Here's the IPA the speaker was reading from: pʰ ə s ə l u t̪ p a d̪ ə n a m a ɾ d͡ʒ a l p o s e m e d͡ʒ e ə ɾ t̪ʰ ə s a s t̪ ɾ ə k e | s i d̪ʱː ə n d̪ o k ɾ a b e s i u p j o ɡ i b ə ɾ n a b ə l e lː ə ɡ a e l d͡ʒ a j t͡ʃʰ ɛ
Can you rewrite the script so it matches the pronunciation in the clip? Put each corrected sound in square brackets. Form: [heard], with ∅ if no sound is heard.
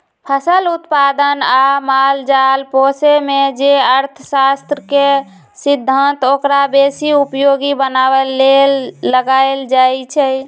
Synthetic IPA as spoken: pʰ ə s ə l u t̪ p a d̪ ə n a m a [l] d͡ʒ a l p o s e m e d͡ʒ e ə ɾ t̪ʰ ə s a s t̪ ɾ ə k e | s i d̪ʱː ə n [t̪] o k ɾ a b e s i u p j o ɡ i b ə [∅] n a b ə l e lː ə ɡ a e l d͡ʒ a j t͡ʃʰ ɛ

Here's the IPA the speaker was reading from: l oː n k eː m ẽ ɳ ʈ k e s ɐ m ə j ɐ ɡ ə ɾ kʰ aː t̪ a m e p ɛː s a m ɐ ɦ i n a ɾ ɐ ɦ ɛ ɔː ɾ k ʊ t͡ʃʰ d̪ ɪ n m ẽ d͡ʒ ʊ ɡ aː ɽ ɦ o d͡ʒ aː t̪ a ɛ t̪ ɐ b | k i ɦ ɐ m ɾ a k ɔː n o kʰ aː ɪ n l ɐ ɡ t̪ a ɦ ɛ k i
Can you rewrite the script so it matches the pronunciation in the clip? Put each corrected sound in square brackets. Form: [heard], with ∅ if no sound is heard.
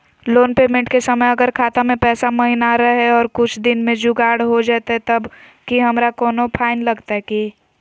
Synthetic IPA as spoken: l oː n [p] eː m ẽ ɳ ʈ k e s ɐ m ə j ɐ ɡ ə ɾ kʰ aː t̪ a m [ẽ] p ɛː s a m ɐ ɦ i n a ɾ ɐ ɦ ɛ ɔː ɾ k ʊ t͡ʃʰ d̪ ɪ n m ẽ d͡ʒ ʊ ɡ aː ɽ ɦ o d͡ʒ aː t̪ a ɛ t̪ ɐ b | k i ɦ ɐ m ɾ a k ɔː n o [pʰ] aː ɪ n l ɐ ɡ t̪ a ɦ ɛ k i

